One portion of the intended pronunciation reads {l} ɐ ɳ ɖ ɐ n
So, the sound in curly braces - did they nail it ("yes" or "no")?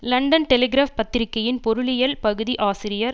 yes